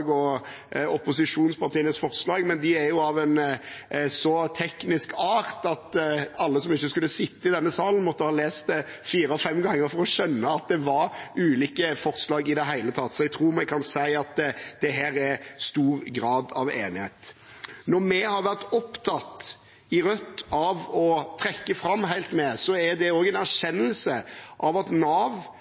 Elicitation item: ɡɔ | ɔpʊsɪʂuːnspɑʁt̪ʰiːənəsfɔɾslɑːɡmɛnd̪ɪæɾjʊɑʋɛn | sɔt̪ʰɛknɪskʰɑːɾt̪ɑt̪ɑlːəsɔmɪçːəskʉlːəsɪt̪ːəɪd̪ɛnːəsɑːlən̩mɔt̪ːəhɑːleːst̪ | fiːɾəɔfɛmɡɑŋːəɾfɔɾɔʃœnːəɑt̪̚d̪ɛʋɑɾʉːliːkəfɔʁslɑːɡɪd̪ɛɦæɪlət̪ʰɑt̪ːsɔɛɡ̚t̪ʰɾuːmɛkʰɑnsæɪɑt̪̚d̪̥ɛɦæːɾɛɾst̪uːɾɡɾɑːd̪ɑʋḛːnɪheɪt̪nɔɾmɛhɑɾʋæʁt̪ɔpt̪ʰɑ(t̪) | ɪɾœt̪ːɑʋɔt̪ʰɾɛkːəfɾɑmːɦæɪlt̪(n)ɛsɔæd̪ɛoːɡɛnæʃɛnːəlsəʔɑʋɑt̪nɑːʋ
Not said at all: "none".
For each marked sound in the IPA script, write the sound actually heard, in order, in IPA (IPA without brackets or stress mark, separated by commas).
t̪, m